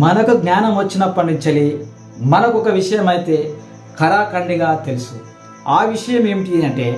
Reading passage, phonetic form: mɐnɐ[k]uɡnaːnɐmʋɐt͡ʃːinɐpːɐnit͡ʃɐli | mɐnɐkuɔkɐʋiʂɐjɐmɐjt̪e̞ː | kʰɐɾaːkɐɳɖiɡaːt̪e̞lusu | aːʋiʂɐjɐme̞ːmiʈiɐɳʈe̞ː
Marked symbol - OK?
yes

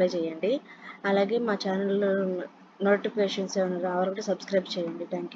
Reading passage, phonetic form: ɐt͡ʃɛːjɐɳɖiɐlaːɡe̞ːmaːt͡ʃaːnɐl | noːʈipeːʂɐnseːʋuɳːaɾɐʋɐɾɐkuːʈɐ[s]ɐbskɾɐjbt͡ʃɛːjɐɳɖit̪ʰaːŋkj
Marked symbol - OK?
yes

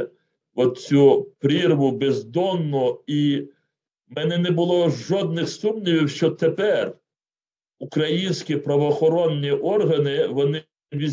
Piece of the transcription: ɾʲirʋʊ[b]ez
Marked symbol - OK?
yes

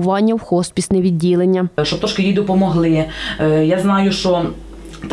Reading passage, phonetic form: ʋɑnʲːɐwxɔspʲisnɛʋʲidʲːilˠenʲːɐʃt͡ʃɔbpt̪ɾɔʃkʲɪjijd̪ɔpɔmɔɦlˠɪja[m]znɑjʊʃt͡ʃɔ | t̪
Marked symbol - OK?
no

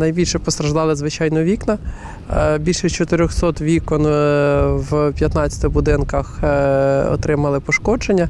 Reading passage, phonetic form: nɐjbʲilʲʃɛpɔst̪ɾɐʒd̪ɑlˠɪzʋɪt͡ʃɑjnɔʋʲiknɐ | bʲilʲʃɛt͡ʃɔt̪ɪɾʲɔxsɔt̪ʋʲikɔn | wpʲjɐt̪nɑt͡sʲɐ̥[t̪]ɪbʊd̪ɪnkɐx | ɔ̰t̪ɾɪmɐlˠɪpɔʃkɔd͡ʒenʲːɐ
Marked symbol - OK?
yes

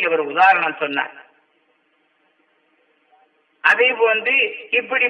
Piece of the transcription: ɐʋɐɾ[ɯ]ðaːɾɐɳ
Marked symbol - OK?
no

